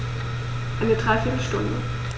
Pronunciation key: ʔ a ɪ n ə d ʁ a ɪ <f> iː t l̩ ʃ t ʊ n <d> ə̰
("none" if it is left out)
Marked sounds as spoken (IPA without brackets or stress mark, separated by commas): f, d